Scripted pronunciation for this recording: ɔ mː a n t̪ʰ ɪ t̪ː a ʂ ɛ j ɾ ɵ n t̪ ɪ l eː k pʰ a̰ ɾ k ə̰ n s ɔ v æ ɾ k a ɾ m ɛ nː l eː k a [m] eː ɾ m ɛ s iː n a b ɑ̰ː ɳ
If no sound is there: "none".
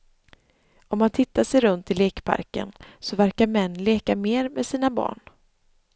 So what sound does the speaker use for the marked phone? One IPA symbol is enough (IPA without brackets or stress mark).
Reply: m